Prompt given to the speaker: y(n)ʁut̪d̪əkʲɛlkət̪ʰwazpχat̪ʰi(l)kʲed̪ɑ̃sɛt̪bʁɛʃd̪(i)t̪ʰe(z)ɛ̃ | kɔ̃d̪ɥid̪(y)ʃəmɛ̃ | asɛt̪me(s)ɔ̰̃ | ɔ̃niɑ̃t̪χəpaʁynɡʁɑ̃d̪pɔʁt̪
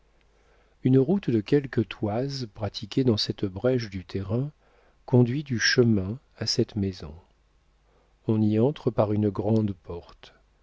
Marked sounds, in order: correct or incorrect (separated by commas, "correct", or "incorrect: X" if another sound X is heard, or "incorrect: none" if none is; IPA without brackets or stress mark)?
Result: correct, incorrect: none, incorrect: y, incorrect: ʁ, correct, incorrect: z